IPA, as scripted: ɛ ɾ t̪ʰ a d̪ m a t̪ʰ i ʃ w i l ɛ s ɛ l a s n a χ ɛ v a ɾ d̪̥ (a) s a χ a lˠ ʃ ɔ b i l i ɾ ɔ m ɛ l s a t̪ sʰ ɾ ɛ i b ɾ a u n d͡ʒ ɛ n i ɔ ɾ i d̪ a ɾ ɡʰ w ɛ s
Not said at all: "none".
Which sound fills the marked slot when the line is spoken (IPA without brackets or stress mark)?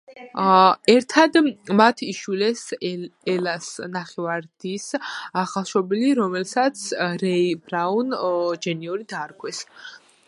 i